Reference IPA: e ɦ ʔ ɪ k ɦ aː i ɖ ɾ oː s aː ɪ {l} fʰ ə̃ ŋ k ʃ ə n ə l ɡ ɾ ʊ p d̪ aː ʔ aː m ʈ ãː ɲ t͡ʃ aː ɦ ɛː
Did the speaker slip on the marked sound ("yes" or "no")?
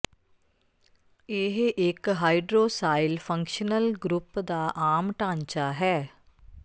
no